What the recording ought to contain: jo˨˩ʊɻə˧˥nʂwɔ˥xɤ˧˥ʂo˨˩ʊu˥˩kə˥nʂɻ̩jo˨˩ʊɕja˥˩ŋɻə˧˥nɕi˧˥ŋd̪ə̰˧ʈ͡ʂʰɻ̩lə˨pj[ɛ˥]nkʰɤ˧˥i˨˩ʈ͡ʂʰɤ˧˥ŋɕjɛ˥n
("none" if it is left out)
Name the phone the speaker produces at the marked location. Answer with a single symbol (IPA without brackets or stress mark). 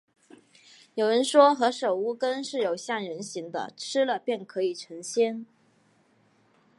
ɛ˥˩